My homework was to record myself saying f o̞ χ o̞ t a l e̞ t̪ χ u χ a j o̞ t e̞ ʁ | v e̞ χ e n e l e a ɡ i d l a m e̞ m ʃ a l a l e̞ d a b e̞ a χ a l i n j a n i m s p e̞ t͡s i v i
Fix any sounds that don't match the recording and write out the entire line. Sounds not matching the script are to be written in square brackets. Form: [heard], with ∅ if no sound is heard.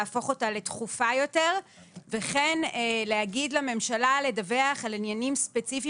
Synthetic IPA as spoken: f o̞ χ o̞ t a l e̞ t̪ χ u [f] a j o̞ t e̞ ʁ | v e̞ χ e n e l e a ɡ i d l a m e̞ m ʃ a l a l e̞ d a [v] e̞ a χ a l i n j a n i m s p e̞ t͡s i [f] i

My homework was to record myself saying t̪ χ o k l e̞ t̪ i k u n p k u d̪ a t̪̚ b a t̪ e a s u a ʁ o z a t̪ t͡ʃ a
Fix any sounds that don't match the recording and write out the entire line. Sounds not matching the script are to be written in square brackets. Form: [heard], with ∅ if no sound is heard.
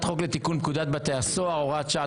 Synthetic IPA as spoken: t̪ χ o k l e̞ t̪ i k u n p k u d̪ a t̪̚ b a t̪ e a s [o] a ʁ o [ʁ] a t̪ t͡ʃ a

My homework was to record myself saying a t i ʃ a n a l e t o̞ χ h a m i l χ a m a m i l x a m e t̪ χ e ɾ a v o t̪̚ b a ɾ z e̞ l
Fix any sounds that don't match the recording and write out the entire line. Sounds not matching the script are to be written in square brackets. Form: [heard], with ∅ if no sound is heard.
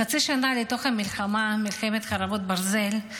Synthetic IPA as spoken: a [t͡s] i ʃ a n a l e t o̞ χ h a m i l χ a m a m i l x [e] m e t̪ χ [a] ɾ a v o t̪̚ b a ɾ z e̞ l

